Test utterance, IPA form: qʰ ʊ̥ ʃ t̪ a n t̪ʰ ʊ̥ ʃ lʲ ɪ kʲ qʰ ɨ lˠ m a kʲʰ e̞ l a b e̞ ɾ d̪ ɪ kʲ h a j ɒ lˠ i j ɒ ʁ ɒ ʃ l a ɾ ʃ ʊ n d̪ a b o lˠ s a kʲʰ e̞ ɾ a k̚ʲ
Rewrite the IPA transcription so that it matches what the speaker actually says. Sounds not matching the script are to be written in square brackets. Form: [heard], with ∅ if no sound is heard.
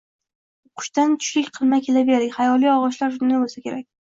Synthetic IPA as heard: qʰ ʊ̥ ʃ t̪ a n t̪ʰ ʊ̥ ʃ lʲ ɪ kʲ qʰ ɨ lˠ m a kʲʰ e̞ l a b e̞ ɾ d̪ ɪ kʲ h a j ɒ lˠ i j ɒ ʁ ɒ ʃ l a ɾ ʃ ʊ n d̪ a b o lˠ s a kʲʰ e̞ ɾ a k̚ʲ